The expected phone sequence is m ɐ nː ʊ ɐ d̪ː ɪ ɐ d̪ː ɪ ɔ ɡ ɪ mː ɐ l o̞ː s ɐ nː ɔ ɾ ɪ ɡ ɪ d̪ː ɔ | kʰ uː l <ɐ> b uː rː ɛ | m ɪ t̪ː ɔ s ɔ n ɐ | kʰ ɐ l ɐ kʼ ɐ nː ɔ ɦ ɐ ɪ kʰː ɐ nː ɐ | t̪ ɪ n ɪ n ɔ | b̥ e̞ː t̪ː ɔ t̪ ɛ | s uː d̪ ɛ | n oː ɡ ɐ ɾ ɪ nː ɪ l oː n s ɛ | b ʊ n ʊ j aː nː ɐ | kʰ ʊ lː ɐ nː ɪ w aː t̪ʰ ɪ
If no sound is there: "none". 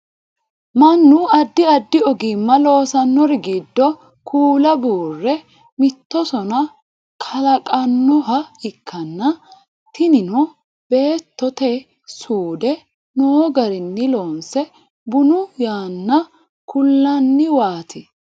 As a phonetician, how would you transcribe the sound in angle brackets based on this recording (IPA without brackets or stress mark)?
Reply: ɐ